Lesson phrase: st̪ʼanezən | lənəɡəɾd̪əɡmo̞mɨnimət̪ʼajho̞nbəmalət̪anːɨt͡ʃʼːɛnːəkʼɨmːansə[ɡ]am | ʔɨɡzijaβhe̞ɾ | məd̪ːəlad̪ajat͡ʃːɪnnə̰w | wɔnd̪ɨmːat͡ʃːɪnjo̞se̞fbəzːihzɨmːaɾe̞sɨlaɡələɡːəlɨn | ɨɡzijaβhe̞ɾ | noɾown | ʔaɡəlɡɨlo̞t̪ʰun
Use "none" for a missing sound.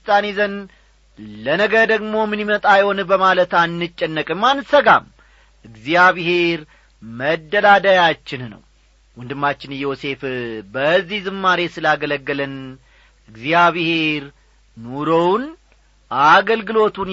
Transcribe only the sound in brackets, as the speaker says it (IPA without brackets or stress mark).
ɡ